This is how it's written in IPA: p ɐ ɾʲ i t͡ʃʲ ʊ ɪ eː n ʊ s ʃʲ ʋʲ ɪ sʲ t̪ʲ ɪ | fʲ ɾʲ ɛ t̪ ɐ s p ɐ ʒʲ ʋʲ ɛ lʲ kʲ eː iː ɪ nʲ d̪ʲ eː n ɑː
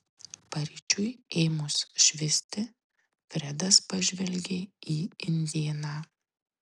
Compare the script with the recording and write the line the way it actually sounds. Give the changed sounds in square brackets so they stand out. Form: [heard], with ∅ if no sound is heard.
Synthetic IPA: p ɐ ɾʲ i t͡ʃʲ ʊ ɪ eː [m] ʊ s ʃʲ ʋʲ ɪ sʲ t̪ʲ ɪ | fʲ ɾʲ ɛ [d̪] ɐ s p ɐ ʒʲ ʋʲ ɛ lʲ [ɡʲ] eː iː ɪ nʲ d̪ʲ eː n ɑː